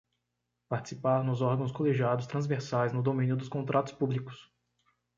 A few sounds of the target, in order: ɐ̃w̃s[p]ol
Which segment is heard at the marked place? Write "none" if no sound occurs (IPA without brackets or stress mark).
k